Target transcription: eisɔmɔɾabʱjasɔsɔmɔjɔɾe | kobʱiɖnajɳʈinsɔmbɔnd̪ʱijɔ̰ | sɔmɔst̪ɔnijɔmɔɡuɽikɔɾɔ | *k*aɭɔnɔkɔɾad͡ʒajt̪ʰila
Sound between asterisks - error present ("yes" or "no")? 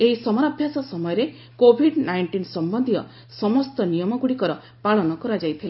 yes